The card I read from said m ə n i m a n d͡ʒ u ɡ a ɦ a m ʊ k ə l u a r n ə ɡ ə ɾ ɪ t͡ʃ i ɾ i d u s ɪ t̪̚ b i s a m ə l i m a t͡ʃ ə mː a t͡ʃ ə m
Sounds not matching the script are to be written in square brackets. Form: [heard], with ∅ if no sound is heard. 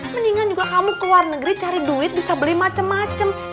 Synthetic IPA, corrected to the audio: m ə n i [ŋ] a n d͡ʒ u ɡ a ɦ a m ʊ k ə l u a r n ə ɡ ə ɾ [i] t͡ʃ [a] ɾ i d u [∅] ɪ t̪̚ b i s a [b] ə l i m a t͡ʃ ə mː a t͡ʃ ə m